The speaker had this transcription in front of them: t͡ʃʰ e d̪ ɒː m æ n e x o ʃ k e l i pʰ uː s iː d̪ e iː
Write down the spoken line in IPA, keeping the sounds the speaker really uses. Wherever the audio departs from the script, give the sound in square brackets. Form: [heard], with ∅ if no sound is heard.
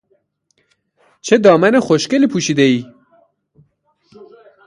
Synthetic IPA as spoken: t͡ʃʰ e d̪ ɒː m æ n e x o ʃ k e l i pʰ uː [ʃ] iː d̪ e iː